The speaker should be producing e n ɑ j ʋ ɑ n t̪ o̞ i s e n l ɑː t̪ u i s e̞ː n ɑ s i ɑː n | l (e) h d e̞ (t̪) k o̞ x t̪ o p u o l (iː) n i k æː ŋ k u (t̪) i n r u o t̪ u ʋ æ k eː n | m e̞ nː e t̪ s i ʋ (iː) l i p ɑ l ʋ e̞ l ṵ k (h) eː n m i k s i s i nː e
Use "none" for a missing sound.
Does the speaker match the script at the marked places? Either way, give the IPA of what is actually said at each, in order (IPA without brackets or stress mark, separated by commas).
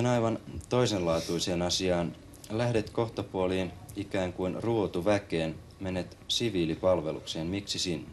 æ, t̪, iː, none, iː, s